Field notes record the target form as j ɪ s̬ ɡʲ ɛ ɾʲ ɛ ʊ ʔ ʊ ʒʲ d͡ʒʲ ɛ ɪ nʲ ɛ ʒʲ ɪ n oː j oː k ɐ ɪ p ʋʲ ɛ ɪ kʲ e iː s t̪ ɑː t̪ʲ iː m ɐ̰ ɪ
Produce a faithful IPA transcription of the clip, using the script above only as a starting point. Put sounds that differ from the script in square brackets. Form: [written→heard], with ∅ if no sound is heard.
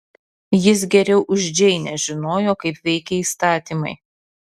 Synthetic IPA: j ɪ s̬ ɡʲ ɛ ɾʲ ɛ ʊ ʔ ʊ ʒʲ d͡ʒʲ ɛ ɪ nʲ ɛ ʒʲ ɪ n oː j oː k ɐ ɪ p ʋʲ ɛ ɪ kʲ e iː s t̪ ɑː t̪ʲ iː m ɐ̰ ɪ